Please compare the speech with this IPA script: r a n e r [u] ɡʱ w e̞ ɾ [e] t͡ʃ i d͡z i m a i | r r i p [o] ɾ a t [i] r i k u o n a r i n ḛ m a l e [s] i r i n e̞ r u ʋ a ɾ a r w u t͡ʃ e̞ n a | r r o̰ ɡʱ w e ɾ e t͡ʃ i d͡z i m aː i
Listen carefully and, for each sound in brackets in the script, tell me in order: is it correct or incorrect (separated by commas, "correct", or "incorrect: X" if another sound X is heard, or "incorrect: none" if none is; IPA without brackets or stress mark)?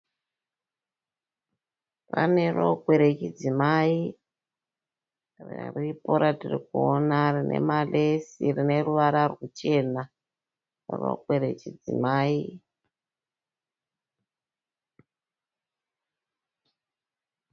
incorrect: o, correct, correct, correct, correct